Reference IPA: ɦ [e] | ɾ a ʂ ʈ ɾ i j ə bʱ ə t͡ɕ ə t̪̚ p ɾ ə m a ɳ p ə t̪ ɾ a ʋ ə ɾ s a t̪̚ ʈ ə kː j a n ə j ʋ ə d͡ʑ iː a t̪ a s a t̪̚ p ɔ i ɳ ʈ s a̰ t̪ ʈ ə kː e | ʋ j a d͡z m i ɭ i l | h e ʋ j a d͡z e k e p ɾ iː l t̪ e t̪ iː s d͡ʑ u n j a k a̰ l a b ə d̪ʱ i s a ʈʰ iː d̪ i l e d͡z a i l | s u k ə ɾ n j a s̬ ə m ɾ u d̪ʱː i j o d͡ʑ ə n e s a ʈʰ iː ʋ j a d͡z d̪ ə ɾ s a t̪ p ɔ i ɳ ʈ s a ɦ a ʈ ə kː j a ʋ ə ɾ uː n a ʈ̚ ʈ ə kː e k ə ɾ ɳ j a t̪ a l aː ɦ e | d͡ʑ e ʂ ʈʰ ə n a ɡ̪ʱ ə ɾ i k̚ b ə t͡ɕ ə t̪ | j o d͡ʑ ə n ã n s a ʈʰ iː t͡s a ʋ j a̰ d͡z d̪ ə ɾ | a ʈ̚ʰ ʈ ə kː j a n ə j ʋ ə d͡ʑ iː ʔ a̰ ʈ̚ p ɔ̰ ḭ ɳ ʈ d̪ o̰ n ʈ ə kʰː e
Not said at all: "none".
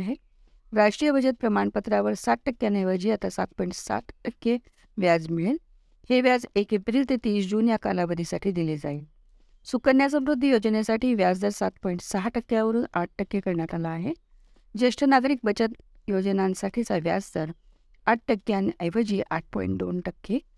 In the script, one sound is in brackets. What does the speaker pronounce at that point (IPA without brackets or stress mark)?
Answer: e